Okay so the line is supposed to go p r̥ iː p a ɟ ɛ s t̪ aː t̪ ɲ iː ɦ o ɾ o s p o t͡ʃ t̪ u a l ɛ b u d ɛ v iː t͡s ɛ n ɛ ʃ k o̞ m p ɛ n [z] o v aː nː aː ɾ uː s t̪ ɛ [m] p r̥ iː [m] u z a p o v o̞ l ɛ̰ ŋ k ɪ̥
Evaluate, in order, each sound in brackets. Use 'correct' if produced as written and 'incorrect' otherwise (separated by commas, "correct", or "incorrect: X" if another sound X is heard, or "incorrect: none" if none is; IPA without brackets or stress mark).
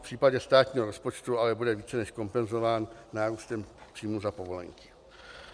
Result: correct, correct, correct